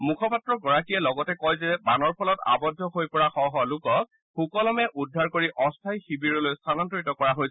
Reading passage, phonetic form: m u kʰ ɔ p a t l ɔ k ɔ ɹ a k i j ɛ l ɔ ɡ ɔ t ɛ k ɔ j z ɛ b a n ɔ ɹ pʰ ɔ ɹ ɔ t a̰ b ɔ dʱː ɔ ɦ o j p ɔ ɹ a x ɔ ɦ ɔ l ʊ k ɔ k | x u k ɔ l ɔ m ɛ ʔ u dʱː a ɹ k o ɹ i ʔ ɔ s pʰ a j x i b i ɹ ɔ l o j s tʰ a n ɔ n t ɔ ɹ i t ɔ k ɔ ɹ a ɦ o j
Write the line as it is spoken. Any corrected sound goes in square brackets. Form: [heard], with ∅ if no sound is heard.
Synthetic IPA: m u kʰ ɔ p a t [ɹ] ɔ [ɡ] ɔ ɹ a k i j ɛ l ɔ ɡ ɔ t ɛ k ɔ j z ɛ b a n ɔ ɹ pʰ ɔ [l] ɔ t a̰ b ɔ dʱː ɔ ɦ o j p ɔ ɹ a x ɔ ɦ ɔ l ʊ k ɔ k | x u k ɔ l ɔ m ɛ ʔ u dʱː a ɹ k o ɹ i ʔ ɔ s [tʰ] a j x i b i ɹ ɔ l o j s tʰ a n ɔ n t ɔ ɹ i t ɔ k ɔ ɹ a ɦ o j